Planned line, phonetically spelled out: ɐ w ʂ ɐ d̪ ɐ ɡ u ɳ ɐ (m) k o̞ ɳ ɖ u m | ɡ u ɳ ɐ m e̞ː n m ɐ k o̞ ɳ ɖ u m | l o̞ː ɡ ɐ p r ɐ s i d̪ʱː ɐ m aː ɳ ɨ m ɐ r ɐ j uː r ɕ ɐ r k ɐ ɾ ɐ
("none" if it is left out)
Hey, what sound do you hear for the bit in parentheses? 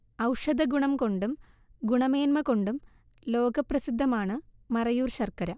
m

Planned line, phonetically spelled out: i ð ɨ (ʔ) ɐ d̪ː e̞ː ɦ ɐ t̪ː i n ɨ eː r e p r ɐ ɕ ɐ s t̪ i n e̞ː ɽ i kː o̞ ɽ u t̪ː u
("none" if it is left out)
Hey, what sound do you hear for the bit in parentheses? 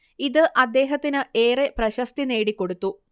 ʔ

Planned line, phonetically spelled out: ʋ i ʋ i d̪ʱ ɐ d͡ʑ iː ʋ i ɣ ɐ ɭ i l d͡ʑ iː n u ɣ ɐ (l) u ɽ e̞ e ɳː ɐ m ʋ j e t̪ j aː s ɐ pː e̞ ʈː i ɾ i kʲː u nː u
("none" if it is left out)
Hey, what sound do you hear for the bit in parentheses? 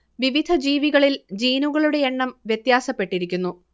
ɭ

